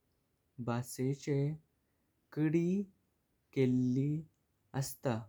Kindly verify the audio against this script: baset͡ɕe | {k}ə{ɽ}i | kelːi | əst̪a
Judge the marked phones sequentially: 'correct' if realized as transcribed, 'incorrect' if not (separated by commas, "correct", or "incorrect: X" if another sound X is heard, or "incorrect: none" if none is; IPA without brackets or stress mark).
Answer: correct, correct